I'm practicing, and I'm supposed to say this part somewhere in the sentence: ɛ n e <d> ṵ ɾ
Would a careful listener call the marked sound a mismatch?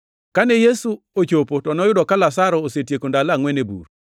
yes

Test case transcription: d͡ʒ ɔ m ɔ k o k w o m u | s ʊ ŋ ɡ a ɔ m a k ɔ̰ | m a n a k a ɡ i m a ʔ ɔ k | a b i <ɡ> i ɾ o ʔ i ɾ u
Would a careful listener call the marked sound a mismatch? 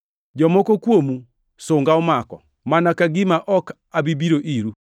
yes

